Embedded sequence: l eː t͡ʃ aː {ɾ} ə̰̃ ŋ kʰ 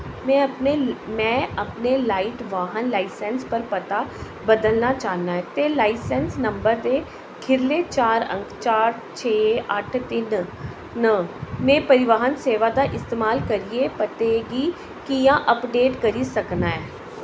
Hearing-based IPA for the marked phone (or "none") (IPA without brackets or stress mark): ɾ